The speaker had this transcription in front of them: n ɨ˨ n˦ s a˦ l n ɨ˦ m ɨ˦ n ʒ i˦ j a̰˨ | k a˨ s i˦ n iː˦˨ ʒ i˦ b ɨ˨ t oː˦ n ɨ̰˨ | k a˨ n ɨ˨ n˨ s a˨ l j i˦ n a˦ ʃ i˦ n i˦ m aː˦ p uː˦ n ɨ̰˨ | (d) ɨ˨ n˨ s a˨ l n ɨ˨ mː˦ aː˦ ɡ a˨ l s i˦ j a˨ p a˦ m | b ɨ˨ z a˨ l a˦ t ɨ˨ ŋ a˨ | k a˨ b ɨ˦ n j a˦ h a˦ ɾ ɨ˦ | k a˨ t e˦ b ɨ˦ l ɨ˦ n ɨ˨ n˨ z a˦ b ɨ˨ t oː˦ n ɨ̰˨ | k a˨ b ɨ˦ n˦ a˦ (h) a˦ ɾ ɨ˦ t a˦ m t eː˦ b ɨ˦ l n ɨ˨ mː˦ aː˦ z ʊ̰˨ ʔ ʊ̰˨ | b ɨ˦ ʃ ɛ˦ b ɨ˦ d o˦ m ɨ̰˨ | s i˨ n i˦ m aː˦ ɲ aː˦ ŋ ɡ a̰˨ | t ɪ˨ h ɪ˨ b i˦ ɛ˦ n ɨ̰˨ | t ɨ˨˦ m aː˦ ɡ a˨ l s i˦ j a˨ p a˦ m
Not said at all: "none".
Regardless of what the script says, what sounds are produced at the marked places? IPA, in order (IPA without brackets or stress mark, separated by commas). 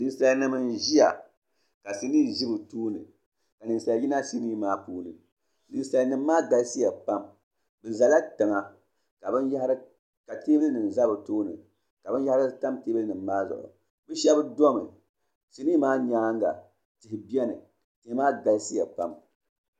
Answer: n, h